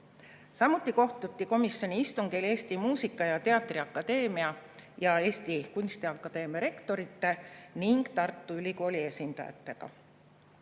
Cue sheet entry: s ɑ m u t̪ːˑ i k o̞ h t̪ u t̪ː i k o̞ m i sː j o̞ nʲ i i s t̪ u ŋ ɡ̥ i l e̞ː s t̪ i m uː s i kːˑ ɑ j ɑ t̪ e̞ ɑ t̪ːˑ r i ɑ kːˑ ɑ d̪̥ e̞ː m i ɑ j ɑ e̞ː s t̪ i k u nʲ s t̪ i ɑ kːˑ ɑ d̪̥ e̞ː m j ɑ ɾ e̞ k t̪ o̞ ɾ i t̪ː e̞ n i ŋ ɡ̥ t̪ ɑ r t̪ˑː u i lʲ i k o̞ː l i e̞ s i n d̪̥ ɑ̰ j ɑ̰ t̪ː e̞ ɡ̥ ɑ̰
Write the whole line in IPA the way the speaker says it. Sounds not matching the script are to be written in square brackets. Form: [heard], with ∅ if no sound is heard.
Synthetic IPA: s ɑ m u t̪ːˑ i k o̞ h t̪ u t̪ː i k o̞ m i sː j o̞ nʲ i i s t̪ u ŋ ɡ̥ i l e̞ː s t̪ i m uː s i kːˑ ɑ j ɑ t̪ e̞ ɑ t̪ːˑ r i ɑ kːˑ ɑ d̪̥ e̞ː m i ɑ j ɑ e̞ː s t̪ i k u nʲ s t̪ i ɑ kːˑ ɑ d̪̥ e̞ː m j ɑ ɾ e̞ k t̪ o̞ ɾ i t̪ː e̞ n i ŋ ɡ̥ t̪ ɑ r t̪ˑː u [y] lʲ i k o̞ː l i e̞ s i n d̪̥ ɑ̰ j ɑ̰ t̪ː e̞ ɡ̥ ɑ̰

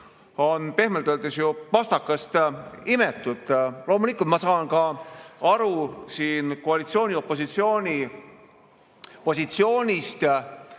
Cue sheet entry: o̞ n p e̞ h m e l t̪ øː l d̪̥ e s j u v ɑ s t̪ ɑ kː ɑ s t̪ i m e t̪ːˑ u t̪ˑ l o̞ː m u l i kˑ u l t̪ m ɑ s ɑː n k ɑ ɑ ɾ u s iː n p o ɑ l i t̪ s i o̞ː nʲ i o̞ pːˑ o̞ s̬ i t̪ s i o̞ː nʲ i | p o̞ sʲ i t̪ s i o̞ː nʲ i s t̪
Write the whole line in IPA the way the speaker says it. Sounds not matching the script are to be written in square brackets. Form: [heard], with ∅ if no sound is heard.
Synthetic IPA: o̞ n p e̞ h m e l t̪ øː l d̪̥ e s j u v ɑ s t̪ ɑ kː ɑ s t̪ i m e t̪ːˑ u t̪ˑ l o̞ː m u l i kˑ u l t̪ m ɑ s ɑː n k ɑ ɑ ɾ u s iː n [k] o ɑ l i t̪ s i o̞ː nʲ i o̞ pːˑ o̞ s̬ i t̪ s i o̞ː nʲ i | p o̞ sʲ i t̪ s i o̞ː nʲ i s t̪

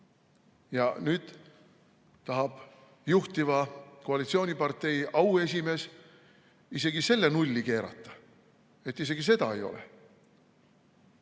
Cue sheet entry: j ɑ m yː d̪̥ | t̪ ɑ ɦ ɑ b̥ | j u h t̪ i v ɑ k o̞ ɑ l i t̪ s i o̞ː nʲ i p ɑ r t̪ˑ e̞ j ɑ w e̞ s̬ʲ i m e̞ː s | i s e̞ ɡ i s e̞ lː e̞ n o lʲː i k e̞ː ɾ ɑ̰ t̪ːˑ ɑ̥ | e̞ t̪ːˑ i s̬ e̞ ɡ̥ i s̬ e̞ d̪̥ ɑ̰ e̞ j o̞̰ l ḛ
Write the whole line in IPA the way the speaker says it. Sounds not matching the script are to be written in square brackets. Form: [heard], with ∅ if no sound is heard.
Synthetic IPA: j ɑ [n] yː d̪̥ | t̪ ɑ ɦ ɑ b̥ | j u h t̪ i v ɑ k o̞ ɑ l i t̪ s i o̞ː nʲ i p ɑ r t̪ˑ e̞ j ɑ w e̞ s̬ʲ i m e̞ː s | i s e̞ ɡ i s e̞ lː e̞ n [u] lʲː i k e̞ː ɾ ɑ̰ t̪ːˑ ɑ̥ | e̞ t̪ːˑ i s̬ e̞ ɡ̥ i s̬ e̞ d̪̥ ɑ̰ e̞ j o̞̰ l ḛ

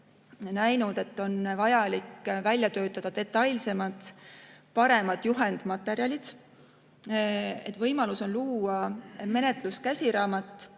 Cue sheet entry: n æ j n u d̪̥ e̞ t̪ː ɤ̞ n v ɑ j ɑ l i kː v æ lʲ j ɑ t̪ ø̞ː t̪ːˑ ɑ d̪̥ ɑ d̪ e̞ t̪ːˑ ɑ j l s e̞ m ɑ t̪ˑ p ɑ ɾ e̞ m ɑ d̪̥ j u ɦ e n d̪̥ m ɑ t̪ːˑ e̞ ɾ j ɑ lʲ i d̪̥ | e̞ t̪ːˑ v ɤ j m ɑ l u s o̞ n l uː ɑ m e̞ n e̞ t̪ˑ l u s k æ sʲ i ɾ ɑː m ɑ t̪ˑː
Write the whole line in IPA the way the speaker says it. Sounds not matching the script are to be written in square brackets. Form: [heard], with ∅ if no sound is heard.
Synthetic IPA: n æ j n u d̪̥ e̞ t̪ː [o̞] n v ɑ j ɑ l i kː v æ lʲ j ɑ t̪ ø̞ː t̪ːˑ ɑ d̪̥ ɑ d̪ e̞ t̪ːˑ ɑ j l s e̞ m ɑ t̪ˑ p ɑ ɾ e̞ m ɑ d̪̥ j u ɦ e n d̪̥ m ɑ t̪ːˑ e̞ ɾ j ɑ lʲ i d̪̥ | e̞ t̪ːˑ v ɤ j m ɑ l u s o̞ n l uː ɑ m e̞ n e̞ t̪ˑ l u s k æ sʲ i ɾ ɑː m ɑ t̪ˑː

